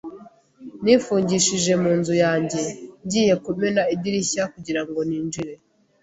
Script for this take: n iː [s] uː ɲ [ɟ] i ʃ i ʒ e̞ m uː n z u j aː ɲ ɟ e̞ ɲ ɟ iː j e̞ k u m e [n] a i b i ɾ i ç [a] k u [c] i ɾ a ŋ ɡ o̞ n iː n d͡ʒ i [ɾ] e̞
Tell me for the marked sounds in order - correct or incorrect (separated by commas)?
incorrect, correct, correct, correct, incorrect, correct